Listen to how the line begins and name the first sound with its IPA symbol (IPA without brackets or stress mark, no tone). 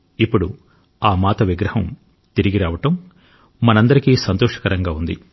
i